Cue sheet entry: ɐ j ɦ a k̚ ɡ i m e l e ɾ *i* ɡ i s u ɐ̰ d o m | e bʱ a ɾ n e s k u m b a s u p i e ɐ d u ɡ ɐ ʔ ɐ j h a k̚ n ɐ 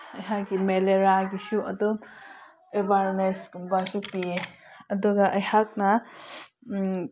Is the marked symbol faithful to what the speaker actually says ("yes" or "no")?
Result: no